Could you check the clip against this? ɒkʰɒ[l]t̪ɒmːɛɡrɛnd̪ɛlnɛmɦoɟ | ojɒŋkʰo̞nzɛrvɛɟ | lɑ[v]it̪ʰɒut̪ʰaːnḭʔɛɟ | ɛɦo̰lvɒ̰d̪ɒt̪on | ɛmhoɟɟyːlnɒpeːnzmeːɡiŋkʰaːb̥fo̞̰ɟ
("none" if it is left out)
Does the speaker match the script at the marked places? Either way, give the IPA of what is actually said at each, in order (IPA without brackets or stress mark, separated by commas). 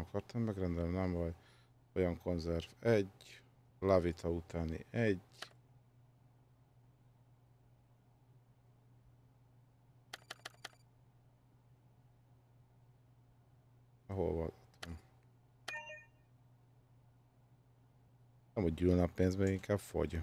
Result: r, v